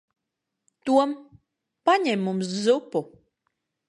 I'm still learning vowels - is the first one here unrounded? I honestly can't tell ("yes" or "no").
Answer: no